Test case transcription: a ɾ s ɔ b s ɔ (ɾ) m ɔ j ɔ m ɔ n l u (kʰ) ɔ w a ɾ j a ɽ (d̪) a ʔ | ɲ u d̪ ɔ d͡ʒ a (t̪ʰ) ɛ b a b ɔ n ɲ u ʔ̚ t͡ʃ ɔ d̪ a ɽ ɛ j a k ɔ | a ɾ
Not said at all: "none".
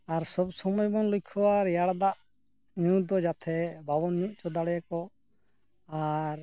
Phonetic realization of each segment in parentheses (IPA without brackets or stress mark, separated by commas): none, kʰ, d̪, t̪ʰ